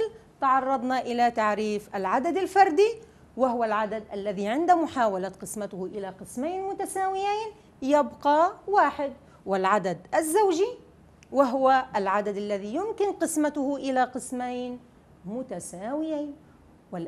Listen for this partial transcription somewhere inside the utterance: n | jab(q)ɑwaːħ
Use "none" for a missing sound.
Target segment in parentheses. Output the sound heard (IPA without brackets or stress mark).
q